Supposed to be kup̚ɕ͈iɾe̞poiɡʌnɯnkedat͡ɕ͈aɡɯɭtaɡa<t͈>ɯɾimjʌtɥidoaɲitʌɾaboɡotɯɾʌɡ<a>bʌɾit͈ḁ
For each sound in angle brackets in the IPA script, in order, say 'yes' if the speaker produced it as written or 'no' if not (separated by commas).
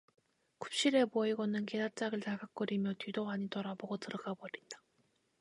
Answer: no, yes